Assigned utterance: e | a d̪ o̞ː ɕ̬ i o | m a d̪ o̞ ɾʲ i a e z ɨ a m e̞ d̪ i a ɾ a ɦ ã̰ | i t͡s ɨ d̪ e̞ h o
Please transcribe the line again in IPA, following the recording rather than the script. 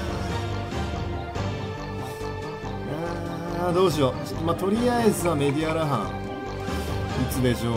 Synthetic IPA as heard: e | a d̪ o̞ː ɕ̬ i o | m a t̪ o̞ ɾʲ i a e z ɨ a m e̞ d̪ i a ɾ a ɦ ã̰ | i t͡s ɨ d̪ e̞ ɕ o